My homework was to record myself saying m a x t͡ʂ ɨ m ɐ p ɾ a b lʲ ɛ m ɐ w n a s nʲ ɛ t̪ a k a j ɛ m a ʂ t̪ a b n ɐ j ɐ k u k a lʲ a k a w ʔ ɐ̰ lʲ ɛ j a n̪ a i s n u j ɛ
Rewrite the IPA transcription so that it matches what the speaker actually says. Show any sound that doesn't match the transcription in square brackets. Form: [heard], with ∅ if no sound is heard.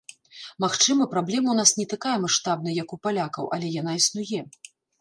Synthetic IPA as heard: m a x t͡ʂ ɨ m ɐ p ɾ a b lʲ ɛ m ɐ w n a s nʲ ɛ t̪ a k a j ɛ m a ʂ t̪ a b n ɐ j ɐ k u [p] a lʲ a k [ɐ] w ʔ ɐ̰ lʲ ɛ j a n̪ a i s n u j ɛ